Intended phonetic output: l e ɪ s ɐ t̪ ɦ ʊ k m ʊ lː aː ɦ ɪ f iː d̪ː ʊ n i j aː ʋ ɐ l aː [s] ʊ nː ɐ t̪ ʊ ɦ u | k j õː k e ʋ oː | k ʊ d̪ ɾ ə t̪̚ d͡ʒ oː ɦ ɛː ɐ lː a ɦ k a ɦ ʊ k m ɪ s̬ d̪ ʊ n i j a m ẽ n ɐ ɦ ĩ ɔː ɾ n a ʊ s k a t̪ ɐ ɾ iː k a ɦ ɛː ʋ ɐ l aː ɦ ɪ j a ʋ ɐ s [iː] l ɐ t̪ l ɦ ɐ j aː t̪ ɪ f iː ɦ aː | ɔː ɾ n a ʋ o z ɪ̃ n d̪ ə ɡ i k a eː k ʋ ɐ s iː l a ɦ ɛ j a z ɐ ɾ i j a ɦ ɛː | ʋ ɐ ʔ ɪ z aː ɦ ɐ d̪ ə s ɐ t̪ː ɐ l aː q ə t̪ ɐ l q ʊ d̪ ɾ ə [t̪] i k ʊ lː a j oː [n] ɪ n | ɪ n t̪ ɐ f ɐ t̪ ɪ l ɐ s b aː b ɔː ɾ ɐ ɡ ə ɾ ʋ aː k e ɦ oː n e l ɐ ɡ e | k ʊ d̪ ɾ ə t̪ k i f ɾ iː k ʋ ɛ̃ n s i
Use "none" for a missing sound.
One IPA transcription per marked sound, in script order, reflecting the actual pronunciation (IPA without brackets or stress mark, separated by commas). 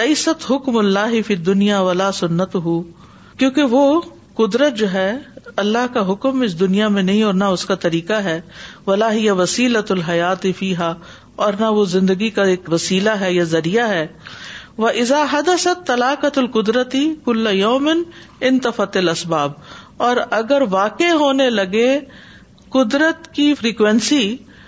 s, iː, t̪, m